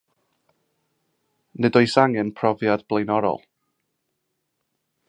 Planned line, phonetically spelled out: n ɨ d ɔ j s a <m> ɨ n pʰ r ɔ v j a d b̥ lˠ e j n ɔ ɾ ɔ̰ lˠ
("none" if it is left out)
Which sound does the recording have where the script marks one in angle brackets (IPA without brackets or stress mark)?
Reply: ŋ